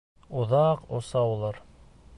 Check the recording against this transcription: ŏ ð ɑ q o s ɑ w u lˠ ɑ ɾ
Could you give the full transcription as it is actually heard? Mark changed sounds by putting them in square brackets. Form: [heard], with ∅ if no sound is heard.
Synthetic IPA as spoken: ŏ ð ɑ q o s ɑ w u lˠ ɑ ɾ